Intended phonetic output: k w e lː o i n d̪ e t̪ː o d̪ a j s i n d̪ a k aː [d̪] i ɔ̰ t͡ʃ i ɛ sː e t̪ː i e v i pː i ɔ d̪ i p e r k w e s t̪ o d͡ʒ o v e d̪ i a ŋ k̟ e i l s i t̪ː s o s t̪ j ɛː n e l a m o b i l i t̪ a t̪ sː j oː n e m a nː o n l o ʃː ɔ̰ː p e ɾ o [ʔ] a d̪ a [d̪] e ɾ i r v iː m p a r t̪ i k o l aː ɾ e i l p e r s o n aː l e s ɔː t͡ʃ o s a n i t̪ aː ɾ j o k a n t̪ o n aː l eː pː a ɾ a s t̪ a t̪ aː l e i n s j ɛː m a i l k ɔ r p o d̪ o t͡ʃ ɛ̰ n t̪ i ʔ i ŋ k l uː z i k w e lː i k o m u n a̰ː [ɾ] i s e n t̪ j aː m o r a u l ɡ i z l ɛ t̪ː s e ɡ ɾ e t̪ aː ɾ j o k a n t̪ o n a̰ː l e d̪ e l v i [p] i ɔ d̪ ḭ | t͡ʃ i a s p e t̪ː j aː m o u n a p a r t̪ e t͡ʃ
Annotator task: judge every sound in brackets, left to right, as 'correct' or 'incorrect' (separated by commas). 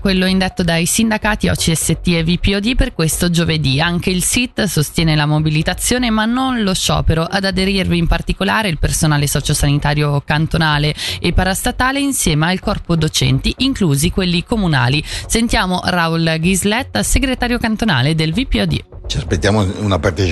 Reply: incorrect, correct, correct, incorrect, correct